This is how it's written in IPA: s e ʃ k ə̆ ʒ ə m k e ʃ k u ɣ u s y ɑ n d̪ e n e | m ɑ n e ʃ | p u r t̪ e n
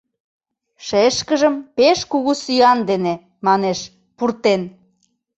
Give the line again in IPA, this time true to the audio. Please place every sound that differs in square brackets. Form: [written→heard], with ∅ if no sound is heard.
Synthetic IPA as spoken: [s→ʃ] e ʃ k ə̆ ʒ ə m [k→p] e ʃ k u ɣ u s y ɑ n d̪ e n e | m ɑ n e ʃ | p u r t̪ e n